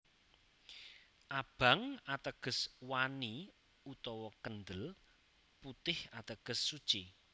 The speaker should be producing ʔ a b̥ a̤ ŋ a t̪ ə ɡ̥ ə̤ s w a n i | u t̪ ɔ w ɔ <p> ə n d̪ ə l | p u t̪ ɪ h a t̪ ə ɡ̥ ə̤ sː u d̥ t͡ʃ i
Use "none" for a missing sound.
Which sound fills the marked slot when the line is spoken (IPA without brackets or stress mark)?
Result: k